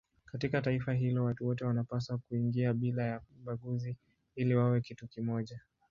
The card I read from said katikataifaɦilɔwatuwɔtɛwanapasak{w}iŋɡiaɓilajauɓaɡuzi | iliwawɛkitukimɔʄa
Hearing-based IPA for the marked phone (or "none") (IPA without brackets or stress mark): u